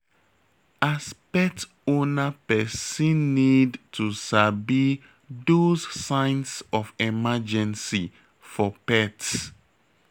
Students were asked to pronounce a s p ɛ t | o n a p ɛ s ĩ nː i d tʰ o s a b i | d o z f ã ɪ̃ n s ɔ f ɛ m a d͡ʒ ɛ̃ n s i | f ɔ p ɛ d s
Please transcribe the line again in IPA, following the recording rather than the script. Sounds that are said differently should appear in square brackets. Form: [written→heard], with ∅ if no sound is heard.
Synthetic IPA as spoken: a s p ɛ t | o n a p ɛ s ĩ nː i d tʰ [o→u] s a b i | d o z [f→s] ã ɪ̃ n s ɔ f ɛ m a d͡ʒ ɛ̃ n s i | f ɔ p ɛ [d→t] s